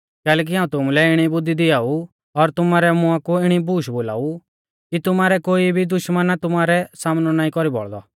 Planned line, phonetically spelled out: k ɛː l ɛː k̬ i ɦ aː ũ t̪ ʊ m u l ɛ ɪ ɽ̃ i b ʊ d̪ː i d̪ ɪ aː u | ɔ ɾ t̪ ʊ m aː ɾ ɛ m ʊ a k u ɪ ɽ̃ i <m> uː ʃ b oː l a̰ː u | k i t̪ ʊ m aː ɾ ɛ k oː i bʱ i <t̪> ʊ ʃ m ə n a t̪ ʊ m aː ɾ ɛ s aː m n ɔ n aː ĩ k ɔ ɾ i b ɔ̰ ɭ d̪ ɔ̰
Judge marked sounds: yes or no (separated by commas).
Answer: no, no